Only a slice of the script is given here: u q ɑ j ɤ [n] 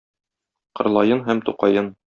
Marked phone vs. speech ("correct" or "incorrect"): correct